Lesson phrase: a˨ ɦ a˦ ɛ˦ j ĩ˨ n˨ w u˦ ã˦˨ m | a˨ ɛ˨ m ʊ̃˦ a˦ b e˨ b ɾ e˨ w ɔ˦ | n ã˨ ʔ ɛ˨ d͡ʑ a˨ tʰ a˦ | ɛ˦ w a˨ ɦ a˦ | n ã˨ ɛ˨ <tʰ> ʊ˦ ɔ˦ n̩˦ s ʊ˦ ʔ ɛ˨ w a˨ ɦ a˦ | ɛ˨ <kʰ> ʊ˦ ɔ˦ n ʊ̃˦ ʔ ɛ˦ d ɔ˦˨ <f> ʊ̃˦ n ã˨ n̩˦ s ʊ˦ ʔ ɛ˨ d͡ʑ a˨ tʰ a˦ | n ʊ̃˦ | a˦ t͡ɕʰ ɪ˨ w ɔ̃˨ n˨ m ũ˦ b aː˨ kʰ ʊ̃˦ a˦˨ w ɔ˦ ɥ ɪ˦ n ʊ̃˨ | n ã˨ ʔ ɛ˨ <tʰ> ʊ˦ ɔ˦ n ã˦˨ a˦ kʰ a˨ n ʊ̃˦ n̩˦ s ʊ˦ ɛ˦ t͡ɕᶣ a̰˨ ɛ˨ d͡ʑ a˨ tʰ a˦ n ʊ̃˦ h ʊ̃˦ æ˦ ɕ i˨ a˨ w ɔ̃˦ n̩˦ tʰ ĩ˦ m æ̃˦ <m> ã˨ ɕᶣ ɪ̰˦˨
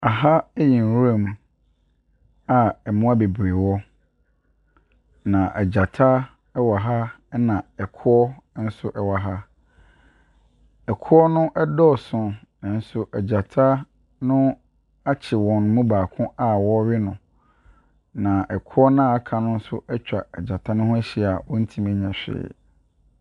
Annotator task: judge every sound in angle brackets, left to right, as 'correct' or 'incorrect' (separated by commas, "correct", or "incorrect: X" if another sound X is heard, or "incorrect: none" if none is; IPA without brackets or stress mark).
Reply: incorrect: kʰ, correct, incorrect: s, incorrect: kʰ, incorrect: ɲ